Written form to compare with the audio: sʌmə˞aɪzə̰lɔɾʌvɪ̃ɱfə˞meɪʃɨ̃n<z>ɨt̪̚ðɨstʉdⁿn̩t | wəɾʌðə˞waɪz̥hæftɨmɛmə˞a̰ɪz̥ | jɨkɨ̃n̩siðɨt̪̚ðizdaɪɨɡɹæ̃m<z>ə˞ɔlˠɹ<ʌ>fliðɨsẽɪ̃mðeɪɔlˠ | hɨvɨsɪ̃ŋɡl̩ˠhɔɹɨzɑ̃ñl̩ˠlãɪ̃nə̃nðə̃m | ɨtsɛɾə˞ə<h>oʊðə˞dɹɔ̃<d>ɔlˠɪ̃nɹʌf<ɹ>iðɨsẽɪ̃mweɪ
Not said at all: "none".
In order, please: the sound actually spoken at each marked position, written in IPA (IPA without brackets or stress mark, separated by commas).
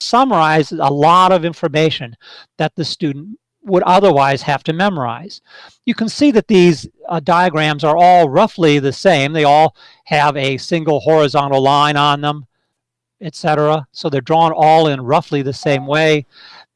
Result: ð, z, ʌ, s, n, l